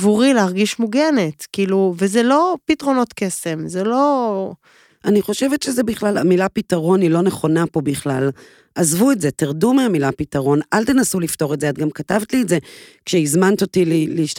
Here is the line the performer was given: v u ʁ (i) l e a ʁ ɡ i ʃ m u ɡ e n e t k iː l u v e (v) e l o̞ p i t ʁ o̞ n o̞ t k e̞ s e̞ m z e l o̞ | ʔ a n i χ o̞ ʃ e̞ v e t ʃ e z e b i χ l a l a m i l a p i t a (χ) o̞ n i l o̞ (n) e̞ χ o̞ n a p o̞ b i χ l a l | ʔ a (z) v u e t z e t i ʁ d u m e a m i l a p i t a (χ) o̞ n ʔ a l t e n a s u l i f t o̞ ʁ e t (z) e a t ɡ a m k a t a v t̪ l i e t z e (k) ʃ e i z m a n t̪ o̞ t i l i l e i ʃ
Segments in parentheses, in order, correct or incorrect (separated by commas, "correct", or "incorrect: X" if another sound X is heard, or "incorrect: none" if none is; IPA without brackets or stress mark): correct, incorrect: z, incorrect: ʁ, correct, correct, incorrect: ʁ, correct, correct